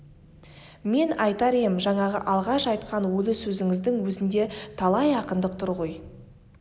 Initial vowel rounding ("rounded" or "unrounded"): unrounded